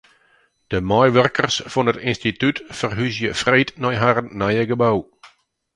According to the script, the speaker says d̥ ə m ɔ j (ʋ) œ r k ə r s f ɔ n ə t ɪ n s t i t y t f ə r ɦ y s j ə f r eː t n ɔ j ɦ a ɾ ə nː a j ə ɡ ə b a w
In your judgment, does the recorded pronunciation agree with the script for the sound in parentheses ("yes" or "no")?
yes